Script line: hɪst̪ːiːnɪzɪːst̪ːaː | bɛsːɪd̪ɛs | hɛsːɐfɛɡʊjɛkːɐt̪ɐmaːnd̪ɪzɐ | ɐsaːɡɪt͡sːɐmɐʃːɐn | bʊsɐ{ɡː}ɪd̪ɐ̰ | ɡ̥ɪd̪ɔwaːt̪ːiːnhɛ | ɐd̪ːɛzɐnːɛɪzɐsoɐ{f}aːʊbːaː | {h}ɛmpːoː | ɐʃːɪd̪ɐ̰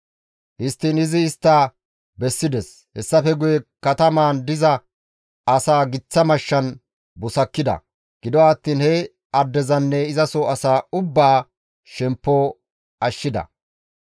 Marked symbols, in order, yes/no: no, no, no

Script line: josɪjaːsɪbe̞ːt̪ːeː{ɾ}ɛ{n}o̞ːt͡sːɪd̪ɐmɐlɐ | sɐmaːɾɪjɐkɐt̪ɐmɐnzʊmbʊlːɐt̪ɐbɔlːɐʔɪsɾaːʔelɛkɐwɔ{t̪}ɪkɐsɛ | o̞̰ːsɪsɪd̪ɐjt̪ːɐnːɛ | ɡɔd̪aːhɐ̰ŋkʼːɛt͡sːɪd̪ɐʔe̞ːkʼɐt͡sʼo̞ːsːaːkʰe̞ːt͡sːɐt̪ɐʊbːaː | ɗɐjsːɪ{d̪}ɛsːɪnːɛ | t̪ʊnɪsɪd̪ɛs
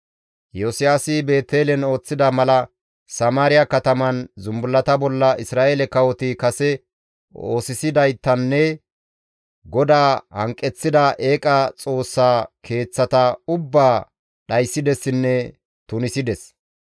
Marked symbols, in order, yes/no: no, yes, yes, yes

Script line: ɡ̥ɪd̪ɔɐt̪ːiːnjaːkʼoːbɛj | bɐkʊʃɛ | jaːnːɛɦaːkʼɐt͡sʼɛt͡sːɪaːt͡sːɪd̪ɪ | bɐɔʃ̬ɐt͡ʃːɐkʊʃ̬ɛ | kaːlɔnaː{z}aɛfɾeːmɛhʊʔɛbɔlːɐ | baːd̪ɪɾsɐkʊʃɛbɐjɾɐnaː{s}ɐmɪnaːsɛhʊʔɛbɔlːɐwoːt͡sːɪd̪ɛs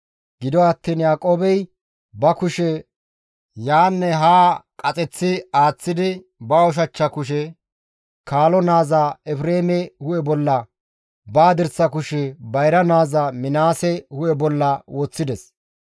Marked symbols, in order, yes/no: yes, no

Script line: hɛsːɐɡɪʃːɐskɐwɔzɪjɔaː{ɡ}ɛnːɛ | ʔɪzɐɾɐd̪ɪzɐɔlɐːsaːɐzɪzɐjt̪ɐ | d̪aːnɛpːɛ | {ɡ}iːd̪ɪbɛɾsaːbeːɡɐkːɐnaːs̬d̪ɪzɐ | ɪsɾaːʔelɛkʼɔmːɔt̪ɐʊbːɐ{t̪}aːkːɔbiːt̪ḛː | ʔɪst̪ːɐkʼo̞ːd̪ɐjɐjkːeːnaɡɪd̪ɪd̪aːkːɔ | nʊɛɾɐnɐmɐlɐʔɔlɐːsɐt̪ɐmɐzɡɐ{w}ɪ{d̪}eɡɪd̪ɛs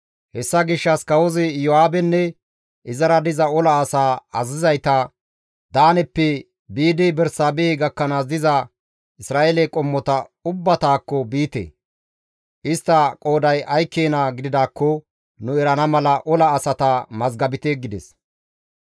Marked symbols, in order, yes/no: no, no, yes, no, no

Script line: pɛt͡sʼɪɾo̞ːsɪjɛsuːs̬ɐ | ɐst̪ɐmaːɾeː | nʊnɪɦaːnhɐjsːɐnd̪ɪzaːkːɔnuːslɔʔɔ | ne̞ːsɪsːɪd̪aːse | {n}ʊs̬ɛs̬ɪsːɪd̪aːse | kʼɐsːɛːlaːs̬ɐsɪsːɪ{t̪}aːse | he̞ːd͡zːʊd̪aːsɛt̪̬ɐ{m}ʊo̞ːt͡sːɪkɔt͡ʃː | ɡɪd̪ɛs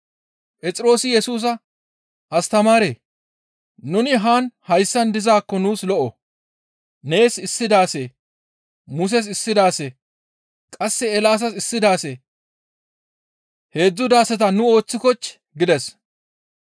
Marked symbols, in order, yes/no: no, no, no

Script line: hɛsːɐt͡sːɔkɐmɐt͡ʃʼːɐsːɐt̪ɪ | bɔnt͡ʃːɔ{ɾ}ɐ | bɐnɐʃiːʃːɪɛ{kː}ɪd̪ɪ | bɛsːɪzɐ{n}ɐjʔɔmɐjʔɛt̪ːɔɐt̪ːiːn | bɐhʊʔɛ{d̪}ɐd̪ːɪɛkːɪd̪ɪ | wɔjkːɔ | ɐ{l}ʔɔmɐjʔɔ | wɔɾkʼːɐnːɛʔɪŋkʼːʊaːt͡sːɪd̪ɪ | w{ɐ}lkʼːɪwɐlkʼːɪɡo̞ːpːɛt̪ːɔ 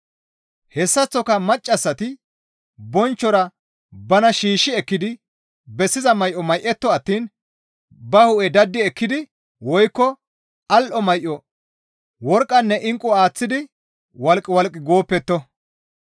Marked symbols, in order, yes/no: yes, yes, no, yes, yes, yes

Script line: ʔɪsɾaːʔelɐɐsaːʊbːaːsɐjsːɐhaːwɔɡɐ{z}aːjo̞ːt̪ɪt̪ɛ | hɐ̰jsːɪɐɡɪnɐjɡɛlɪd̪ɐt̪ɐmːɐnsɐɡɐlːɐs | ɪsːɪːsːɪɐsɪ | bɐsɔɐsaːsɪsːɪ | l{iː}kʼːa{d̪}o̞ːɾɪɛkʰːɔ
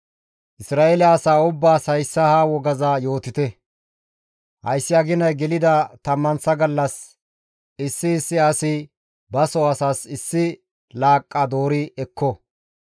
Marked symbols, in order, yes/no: yes, no, yes

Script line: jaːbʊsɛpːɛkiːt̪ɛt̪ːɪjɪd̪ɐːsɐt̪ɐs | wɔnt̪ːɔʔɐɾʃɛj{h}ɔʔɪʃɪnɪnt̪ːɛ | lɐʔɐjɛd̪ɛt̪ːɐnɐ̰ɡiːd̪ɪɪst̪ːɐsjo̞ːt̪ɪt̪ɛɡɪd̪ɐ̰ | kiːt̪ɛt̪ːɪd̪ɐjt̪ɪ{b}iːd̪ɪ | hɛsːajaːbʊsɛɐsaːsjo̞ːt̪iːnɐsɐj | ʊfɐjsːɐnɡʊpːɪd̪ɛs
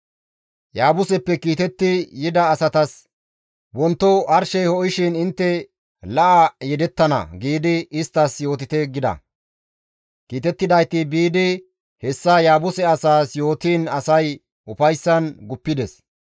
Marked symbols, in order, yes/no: yes, yes

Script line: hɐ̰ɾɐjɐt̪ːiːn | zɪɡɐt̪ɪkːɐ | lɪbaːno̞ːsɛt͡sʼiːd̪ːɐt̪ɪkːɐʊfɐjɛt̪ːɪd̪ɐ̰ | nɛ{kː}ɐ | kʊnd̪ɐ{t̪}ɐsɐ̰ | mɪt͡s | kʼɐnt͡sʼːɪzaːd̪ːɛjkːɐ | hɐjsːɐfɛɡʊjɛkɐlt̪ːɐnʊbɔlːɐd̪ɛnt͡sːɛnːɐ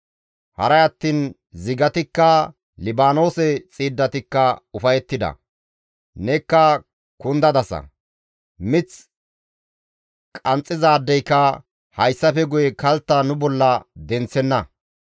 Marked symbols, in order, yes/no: yes, no

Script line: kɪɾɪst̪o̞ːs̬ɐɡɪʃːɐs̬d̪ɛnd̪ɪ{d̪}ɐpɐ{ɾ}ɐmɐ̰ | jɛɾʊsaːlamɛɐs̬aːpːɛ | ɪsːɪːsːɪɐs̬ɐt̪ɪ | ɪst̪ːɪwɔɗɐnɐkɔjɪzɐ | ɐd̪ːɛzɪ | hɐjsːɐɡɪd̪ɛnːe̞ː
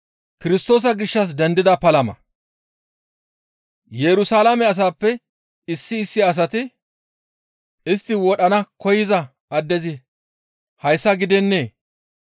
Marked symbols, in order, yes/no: yes, no

